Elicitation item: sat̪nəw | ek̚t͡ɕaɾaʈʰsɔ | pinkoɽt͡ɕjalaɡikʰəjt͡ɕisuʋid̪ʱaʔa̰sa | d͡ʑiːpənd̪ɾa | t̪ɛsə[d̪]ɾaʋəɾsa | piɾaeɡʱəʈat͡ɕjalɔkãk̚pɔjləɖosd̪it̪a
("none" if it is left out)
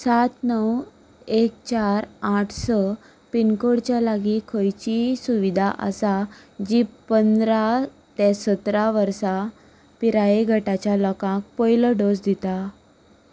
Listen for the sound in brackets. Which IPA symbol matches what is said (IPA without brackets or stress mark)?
t̪